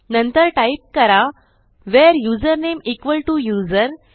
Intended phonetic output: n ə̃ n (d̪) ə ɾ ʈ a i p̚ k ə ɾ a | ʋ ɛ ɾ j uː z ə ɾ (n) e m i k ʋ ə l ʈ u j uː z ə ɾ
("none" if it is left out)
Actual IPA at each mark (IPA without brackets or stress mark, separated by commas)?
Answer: t̪, n